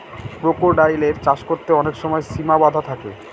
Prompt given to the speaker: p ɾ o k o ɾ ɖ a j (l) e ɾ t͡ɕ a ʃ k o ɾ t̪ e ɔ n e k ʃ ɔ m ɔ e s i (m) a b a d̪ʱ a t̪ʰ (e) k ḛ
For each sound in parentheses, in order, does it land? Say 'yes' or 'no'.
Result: yes, yes, no

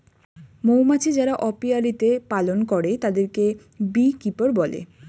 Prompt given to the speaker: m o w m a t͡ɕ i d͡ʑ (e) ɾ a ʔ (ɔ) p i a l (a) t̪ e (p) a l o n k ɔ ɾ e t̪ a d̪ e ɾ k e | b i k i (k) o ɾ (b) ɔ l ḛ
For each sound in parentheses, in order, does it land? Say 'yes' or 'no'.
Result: no, yes, no, yes, no, yes

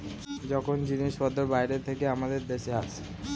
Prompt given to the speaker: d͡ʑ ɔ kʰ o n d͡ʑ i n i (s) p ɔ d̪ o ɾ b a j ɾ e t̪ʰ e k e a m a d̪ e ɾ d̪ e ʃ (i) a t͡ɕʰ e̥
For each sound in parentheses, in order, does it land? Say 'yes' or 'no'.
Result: no, no

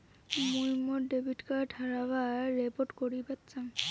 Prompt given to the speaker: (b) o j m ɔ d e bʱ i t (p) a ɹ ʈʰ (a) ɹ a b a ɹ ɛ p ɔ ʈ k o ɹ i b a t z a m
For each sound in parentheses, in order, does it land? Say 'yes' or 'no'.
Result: no, no, yes

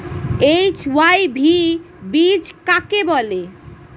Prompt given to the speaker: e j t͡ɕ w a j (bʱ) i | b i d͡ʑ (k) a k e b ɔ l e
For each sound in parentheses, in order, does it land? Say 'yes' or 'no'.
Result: yes, yes

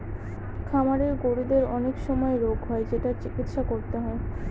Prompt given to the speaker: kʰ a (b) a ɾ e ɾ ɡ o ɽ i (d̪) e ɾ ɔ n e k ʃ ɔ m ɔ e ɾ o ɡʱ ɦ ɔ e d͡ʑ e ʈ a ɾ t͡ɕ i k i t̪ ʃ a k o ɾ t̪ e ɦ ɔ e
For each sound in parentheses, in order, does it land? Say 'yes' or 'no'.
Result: no, yes

